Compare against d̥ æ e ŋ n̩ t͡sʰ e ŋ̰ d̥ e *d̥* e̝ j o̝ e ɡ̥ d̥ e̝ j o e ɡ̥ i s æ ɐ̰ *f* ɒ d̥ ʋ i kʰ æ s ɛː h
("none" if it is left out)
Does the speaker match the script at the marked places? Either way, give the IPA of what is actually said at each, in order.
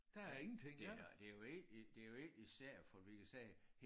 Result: d̥, f

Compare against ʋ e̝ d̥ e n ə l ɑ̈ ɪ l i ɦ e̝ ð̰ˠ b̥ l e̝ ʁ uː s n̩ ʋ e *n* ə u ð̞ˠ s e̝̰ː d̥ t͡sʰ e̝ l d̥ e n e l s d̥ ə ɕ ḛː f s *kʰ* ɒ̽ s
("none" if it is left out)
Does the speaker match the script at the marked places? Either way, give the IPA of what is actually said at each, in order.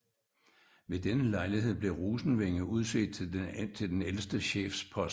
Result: ŋ, pʰ

